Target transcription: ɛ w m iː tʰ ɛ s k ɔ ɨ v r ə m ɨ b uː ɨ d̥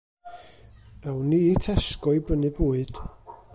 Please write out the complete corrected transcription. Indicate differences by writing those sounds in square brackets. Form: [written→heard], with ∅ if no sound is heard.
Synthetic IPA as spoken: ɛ w [m→n] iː tʰ ɛ s k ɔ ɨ [v→b] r ə [m→n] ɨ b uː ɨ d̥